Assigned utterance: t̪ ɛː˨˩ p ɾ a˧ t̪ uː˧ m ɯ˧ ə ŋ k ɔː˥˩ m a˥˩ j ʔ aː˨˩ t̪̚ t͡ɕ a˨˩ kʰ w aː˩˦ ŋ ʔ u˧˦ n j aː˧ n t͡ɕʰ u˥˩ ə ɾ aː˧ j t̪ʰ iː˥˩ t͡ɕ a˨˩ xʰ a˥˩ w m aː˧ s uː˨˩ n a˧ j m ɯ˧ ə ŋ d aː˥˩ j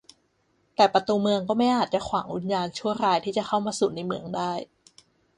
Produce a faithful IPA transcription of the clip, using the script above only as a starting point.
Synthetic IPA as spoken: t̪ ɛː˨˩ p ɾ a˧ t̪ uː˧ m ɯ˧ ə ŋ k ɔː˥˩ m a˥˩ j ʔ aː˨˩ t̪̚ t͡ɕ a˨˩ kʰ w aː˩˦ ŋ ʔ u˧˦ n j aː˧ n t͡ɕʰ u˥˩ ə ɾ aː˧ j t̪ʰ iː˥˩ t͡ɕ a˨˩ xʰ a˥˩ w m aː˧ s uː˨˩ n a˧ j m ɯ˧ ə ŋ d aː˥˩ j